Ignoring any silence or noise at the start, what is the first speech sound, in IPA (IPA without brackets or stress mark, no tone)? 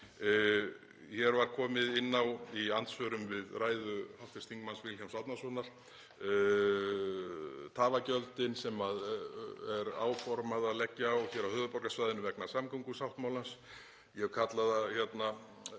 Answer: ç